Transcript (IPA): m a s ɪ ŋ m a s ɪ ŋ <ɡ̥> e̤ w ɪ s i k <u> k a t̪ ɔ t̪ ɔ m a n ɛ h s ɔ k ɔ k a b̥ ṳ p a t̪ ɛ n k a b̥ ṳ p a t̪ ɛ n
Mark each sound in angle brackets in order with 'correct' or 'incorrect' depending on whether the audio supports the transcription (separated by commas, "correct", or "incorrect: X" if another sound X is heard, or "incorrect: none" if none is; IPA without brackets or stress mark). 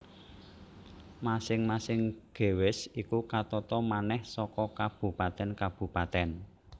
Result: correct, correct